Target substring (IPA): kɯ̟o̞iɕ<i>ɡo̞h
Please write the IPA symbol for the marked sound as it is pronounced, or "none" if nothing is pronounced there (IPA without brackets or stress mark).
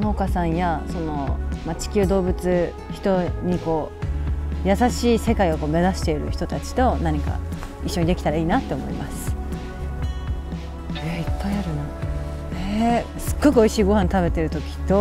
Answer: iː